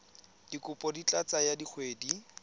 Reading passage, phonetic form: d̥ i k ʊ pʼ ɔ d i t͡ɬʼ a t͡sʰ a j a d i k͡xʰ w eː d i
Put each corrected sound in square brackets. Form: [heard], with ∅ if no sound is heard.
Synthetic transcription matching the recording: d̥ i k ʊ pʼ ɔ d i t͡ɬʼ a [t͡s] a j a d i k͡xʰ w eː d i